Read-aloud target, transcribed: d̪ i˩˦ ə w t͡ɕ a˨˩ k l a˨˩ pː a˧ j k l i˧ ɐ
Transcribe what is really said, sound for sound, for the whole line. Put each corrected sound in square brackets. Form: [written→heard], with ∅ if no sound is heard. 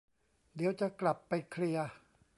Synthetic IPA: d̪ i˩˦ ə w t͡ɕ a˨˩ k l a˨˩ pː a˧ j [k→kʰ] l i˧ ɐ